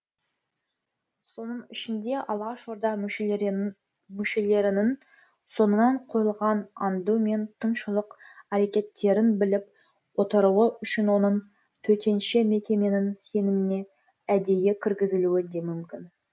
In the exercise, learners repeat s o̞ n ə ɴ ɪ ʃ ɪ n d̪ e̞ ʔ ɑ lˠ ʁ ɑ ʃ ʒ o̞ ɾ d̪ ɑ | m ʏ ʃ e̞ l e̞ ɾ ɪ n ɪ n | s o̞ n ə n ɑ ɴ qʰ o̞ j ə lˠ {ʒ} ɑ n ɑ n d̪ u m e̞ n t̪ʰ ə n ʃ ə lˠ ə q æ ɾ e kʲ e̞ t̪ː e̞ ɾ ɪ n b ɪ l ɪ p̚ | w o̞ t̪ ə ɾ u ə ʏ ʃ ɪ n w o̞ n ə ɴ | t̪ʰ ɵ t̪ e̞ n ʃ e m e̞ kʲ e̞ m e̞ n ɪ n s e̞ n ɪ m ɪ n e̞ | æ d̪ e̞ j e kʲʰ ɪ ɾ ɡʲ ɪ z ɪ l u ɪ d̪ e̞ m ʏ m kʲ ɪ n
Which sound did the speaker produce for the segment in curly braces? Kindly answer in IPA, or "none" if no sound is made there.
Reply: ʁ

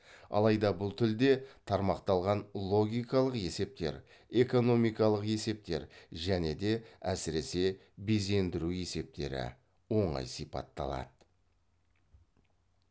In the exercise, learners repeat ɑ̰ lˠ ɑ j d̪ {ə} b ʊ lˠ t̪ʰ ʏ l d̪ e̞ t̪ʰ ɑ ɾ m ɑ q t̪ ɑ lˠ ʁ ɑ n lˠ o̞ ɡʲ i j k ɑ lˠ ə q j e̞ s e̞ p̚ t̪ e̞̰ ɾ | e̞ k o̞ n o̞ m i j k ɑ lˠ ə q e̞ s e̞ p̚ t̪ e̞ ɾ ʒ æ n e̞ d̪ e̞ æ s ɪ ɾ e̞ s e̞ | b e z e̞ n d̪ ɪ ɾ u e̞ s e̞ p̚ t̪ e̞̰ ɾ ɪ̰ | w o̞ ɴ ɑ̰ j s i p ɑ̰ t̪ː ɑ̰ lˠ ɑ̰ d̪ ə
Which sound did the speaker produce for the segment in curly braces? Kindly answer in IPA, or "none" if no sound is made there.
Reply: ɑ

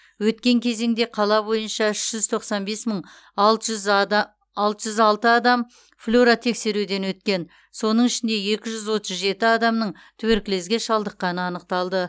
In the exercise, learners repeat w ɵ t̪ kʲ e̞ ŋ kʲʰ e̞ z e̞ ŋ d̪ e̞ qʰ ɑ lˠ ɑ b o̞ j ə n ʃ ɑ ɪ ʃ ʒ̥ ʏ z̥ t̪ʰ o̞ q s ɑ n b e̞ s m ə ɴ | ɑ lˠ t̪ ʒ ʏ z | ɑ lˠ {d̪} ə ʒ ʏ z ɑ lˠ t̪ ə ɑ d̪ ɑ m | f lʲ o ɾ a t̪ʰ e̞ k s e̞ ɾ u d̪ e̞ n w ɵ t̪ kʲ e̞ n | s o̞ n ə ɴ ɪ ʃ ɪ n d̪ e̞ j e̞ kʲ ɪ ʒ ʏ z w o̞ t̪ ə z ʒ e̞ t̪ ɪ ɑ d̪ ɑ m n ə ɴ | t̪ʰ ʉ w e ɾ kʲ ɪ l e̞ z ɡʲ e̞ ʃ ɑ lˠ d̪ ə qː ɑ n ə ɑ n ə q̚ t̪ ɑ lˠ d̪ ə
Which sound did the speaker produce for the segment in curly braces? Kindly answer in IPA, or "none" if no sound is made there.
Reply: t̪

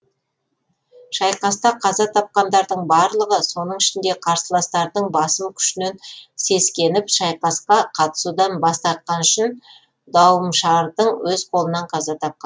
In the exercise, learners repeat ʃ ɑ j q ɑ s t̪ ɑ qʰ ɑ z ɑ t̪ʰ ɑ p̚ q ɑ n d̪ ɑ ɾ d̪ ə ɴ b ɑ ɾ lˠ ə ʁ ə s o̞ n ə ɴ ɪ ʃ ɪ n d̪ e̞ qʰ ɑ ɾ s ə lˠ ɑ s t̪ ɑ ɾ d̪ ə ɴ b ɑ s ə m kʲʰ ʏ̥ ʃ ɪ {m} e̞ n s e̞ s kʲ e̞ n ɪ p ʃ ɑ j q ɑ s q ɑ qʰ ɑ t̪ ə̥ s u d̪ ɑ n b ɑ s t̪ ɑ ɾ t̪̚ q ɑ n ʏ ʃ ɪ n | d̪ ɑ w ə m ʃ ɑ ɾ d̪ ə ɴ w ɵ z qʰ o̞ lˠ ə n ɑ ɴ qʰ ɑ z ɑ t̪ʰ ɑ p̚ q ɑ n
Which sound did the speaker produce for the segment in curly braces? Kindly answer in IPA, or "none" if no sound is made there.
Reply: n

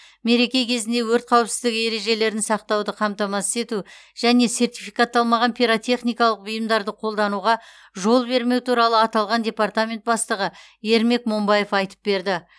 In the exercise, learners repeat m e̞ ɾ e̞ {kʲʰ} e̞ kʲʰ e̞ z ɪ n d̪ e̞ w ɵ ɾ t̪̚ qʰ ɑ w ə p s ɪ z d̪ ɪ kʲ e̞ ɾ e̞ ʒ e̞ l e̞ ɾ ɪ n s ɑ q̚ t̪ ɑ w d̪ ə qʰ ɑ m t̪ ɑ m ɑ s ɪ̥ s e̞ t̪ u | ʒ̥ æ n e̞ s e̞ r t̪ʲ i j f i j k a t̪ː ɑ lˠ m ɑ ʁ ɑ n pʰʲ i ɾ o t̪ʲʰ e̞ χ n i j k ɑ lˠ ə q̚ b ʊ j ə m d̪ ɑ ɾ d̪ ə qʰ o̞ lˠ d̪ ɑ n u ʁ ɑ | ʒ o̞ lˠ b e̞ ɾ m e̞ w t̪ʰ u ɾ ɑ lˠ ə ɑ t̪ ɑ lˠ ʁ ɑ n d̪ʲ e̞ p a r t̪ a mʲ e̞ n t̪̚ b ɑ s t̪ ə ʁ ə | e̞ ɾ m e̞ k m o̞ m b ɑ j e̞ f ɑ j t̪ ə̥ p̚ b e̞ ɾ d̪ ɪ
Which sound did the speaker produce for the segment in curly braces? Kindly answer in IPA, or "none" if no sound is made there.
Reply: kʲ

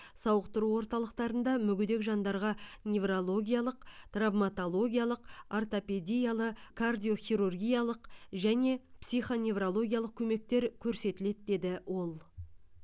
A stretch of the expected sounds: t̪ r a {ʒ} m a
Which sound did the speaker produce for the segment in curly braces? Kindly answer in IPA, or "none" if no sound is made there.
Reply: v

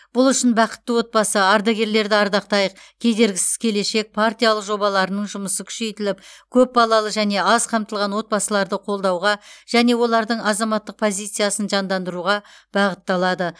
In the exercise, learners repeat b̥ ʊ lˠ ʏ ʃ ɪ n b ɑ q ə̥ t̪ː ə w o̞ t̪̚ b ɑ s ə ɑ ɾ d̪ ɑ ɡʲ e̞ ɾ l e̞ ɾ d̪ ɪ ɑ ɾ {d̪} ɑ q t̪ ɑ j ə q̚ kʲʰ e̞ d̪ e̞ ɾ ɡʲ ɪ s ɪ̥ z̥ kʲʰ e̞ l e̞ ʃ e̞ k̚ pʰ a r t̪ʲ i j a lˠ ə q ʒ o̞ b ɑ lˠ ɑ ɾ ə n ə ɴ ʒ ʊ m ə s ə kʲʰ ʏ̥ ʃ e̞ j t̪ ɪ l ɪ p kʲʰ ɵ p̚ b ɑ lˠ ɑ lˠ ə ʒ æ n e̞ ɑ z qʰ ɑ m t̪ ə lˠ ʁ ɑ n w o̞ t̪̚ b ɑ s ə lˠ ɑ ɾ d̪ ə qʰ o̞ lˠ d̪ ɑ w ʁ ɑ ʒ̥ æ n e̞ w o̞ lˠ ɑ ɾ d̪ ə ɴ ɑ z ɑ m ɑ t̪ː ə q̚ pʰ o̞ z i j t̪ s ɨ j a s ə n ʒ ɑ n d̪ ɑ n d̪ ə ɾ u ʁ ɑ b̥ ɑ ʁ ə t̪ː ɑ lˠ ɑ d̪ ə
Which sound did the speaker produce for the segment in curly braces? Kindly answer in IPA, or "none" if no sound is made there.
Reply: d̪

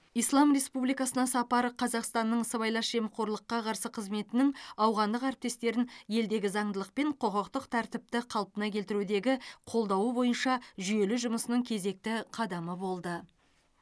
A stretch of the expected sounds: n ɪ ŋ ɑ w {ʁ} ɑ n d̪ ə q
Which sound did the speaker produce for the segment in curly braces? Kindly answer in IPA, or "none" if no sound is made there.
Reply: ʁ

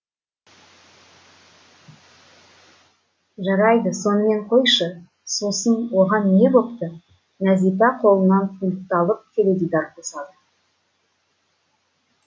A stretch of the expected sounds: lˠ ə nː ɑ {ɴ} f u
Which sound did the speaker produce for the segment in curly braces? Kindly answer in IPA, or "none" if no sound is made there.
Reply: n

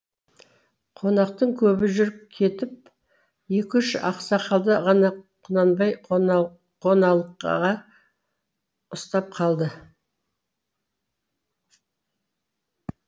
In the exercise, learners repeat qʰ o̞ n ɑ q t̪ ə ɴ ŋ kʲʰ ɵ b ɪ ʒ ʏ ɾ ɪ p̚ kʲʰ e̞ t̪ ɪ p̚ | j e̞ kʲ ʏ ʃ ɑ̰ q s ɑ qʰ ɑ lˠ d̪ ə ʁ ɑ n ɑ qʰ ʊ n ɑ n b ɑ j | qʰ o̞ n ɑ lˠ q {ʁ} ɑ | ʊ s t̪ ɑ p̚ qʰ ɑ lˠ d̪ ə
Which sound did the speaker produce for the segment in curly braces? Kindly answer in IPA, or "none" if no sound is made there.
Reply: ʁ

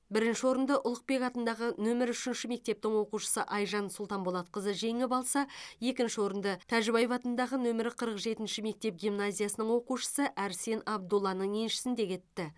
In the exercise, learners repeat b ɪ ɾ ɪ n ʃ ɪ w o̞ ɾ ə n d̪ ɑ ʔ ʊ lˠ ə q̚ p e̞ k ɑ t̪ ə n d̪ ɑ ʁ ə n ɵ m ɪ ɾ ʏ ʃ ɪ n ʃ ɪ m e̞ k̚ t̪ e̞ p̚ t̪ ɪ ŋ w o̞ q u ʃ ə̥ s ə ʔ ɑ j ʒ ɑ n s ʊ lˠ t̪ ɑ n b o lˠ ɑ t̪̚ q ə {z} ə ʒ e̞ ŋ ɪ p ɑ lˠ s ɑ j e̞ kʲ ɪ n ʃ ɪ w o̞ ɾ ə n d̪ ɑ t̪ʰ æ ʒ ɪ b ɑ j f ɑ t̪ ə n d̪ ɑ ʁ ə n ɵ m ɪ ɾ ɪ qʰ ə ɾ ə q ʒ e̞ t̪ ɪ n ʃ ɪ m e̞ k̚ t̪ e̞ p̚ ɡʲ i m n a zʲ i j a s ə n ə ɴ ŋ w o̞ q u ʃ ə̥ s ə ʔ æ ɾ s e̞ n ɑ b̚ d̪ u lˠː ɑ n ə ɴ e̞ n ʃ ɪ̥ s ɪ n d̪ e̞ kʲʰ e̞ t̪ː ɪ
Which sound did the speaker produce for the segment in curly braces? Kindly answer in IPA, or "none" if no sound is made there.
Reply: z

